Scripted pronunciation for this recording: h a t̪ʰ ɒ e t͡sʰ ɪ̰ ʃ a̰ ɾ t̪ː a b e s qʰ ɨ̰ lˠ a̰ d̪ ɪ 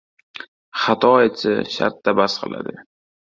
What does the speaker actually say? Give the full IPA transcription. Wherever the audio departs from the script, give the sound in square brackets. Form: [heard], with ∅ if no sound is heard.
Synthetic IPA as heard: [χ] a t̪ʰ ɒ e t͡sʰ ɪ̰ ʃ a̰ ɾ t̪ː a b [a] s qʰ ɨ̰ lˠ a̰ d̪ ɪ